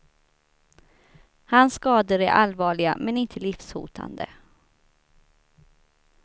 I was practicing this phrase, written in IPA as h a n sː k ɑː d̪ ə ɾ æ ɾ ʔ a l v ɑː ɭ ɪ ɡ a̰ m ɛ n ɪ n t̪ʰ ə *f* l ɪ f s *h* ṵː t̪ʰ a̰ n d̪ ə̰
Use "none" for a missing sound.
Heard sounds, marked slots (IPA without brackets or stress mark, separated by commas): none, h